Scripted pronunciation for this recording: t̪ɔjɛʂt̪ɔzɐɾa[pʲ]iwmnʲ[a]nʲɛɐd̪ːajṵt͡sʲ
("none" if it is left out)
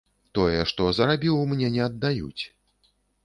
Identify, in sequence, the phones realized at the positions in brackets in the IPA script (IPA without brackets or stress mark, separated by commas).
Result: bʲ, ɛ